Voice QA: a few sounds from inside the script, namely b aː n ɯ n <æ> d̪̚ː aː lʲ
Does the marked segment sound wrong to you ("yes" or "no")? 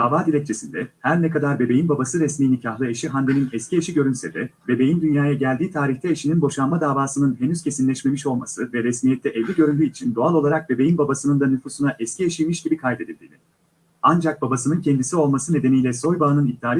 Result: yes